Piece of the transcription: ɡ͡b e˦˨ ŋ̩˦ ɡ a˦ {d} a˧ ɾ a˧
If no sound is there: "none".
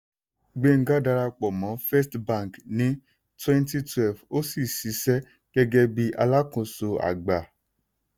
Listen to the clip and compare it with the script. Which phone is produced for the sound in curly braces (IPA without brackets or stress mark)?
d